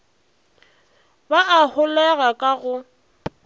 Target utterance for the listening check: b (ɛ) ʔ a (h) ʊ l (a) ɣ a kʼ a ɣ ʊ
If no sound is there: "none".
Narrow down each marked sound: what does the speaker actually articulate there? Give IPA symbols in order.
a, h, ɛ

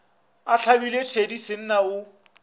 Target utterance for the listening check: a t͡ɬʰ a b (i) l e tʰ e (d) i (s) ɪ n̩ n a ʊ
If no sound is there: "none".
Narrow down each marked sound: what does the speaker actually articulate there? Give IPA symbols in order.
i, d, s

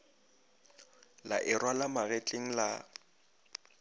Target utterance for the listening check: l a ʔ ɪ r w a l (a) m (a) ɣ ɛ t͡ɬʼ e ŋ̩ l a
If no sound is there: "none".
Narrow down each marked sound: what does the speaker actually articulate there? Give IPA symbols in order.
a, a

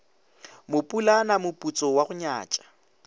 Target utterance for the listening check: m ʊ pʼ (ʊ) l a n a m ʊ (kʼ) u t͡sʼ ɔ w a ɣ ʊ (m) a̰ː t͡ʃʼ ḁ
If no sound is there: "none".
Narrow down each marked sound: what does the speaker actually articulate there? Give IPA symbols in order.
u, pʼ, ɲ

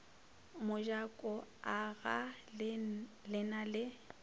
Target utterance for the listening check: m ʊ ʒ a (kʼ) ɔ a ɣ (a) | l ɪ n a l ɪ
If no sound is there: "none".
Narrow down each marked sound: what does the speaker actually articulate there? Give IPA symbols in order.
kʼ, a

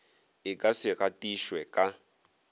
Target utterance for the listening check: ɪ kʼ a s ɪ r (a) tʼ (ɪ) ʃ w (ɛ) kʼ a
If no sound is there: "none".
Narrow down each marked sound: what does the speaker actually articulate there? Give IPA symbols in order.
a, i, ɛ

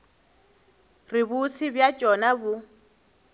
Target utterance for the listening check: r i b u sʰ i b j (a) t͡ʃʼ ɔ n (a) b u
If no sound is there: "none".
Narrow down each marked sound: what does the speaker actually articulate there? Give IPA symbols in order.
a, a

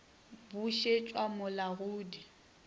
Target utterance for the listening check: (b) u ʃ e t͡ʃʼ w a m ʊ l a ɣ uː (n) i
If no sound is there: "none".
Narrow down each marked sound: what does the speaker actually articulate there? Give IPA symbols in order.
b, d

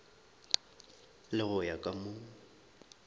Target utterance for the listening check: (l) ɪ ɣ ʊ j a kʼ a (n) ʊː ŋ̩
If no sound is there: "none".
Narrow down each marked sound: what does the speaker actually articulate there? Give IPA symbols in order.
l, m

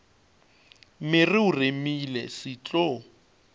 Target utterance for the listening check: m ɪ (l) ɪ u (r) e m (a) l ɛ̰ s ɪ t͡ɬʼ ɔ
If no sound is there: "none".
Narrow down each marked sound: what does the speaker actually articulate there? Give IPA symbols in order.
r, r, i

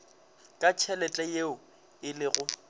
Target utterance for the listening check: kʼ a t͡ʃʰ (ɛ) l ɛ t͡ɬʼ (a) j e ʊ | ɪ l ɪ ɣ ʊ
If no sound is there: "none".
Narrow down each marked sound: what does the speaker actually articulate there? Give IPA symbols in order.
ɛ, ɛ

